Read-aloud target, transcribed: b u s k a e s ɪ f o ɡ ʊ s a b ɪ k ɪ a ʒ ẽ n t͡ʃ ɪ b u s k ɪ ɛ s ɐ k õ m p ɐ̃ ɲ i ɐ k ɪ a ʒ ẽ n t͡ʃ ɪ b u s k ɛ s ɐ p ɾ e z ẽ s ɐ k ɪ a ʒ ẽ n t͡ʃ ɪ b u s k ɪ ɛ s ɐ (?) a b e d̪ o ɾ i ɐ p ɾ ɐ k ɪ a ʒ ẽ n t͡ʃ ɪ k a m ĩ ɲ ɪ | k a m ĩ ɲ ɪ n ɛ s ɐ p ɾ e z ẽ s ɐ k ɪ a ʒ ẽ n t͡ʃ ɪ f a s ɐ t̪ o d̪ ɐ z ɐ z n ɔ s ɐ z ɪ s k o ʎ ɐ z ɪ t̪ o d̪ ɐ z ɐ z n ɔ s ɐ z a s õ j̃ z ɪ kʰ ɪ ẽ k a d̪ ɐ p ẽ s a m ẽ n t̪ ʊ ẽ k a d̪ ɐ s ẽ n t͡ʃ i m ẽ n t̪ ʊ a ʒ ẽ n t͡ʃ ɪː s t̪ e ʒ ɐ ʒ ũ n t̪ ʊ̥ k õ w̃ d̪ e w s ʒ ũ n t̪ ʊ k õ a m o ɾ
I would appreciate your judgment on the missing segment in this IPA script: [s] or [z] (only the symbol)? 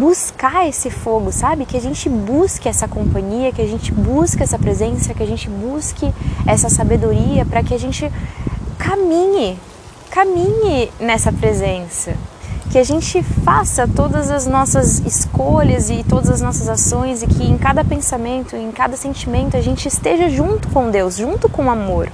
s